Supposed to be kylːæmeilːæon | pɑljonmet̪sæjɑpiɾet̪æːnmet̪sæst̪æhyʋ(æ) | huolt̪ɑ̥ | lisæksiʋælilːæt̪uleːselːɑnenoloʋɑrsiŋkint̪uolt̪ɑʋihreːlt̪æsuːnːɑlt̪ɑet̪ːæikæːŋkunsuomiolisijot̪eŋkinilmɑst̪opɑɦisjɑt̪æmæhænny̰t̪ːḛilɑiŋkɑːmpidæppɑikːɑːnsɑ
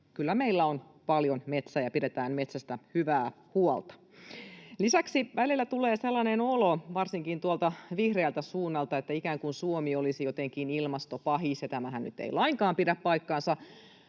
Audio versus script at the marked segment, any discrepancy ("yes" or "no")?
yes